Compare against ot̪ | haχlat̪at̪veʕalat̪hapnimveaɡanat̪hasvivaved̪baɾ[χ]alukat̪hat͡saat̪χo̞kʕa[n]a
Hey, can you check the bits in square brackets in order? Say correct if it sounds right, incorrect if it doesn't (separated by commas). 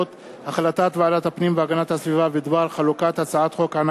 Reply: correct, correct